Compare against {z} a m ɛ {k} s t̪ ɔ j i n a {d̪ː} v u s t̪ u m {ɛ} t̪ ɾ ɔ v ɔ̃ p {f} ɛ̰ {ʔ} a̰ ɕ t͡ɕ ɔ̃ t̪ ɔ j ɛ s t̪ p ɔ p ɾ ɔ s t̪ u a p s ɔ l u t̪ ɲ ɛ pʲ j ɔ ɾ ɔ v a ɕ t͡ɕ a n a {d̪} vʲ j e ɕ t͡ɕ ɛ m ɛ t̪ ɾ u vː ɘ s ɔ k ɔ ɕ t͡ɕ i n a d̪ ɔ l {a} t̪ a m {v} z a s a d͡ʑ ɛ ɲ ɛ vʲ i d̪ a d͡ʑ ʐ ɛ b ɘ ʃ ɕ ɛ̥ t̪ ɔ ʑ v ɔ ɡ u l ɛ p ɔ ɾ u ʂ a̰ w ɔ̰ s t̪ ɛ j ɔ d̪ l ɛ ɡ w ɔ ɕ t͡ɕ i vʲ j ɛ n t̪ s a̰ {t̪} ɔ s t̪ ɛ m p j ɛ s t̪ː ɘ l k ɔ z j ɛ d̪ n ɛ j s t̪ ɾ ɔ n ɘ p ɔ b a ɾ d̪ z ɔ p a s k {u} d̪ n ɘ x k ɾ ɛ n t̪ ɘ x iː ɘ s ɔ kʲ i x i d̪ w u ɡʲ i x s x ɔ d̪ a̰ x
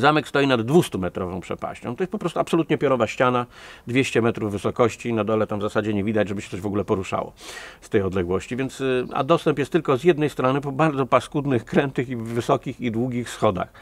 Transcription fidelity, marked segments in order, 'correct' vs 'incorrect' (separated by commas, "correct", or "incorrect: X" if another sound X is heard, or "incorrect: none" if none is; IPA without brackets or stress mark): correct, correct, correct, correct, incorrect: ʂ, incorrect: p, correct, incorrect: ɛ, correct, incorrect: d̪, correct